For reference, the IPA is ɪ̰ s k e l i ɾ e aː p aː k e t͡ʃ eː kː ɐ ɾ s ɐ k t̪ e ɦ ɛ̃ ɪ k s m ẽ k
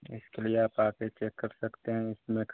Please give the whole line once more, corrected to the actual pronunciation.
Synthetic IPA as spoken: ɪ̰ s k e l i e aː p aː k e t͡ʃ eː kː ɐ ɾ s ɐ k t̪ e ɦ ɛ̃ ɪ s m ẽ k